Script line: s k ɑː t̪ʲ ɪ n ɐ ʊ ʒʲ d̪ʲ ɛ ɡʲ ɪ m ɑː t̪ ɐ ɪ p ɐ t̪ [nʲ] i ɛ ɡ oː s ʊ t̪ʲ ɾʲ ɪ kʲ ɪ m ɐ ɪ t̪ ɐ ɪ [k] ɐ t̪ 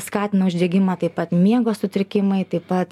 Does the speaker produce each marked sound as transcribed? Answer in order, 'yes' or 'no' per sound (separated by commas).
no, no